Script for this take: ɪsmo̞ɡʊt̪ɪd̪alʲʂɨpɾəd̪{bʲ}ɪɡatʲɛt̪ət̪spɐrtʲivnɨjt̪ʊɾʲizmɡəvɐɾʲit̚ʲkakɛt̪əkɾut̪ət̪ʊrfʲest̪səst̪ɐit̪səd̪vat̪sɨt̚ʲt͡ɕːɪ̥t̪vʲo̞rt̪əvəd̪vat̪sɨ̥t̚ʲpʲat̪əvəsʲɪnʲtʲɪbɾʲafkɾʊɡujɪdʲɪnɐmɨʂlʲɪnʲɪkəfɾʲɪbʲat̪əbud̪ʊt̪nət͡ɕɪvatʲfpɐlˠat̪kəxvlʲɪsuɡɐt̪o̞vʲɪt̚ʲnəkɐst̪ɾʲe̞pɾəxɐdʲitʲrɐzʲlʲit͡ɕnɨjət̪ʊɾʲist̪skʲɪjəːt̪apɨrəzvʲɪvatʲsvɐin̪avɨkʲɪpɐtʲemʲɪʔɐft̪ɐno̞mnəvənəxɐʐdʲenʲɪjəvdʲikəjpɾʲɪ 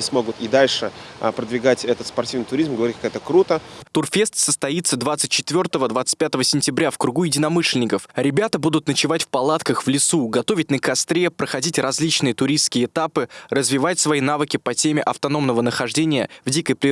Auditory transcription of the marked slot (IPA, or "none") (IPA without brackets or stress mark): vʲ